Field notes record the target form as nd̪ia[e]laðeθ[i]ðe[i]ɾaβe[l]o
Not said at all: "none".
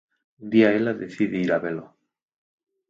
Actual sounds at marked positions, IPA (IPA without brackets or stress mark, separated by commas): e, i, i, l